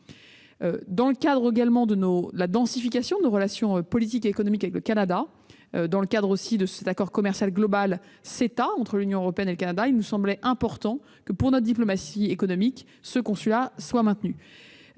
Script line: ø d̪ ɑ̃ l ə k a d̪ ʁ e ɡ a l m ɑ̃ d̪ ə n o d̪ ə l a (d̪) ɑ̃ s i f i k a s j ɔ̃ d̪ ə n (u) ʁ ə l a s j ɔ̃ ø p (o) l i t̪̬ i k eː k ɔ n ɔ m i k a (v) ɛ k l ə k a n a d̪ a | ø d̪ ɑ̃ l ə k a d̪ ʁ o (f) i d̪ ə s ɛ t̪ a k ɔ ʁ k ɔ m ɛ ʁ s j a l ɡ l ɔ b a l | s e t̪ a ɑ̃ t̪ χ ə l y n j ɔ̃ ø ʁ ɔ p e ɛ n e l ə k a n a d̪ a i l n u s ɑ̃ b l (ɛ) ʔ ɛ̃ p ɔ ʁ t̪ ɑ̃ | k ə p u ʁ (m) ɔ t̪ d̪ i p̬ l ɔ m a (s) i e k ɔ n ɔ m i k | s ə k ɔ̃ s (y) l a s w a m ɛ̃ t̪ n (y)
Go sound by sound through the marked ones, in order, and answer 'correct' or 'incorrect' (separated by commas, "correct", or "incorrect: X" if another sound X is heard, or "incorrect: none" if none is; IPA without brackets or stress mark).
correct, incorrect: o, incorrect: ɔ, correct, incorrect: s, correct, incorrect: n, correct, correct, correct